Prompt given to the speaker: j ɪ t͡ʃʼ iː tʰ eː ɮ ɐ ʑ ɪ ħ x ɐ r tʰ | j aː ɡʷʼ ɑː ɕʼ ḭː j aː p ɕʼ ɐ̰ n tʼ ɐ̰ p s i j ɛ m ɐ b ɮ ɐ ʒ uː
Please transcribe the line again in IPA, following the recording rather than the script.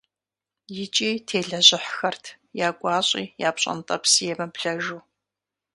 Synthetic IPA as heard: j ɪ t͡ʃʼ iː tʰ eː ɮ ɐ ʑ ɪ ħ x ɐ r tʰ | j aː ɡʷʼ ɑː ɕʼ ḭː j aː p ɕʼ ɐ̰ n tʼ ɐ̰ p s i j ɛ m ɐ b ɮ ɐ ʒ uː